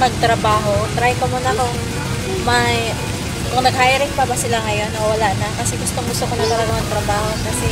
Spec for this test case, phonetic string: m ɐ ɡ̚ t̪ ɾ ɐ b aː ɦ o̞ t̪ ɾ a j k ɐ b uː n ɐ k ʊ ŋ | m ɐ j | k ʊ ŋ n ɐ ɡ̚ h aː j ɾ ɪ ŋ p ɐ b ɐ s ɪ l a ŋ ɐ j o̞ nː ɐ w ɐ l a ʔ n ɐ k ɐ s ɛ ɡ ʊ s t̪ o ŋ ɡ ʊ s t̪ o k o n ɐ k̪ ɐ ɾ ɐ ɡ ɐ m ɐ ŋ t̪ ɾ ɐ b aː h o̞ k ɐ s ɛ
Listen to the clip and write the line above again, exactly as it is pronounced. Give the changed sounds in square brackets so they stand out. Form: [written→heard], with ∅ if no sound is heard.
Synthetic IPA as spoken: m ɐ ɡ̚ t̪ ɾ ɐ b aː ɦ o̞ t̪ ɾ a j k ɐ [b→m] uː n ɐ k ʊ ŋ | m ɐ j | k ʊ ŋ n ɐ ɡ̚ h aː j ɾ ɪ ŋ p ɐ b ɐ s ɪ l a ŋ ɐ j o̞ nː ɐ w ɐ l a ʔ n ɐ k ɐ s ɛ ɡ ʊ s t̪ o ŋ ɡ ʊ s t̪ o k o n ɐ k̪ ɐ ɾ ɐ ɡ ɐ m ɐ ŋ t̪ ɾ ɐ b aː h o̞ k ɐ s ɛ

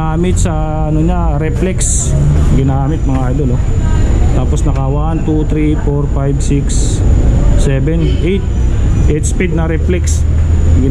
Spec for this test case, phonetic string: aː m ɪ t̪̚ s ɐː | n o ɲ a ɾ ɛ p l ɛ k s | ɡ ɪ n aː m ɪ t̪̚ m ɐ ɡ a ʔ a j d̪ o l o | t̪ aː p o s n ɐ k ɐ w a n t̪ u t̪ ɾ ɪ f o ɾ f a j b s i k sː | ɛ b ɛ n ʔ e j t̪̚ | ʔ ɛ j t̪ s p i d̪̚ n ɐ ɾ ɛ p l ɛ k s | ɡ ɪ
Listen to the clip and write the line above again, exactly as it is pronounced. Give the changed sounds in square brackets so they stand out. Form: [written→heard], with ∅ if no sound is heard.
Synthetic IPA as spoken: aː m ɪ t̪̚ s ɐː | n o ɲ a ɾ ɛ p l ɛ k s | ɡ ɪ n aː m ɪ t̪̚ m ɐ [ɡ→ŋ] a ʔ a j d̪ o l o | t̪ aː p o s n ɐ k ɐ w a n t̪ u t̪ ɾ [ɪ→i] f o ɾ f a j b s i k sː | ɛ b ɛ n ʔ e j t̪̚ | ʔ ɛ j t̪ s p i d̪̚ n ɐ ɾ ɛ p l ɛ k s | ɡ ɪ

